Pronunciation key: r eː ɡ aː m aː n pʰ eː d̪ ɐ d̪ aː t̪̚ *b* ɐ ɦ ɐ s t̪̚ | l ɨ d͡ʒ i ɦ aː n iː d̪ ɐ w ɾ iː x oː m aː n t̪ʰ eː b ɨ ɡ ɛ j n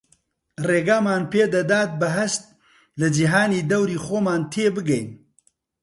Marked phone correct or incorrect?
correct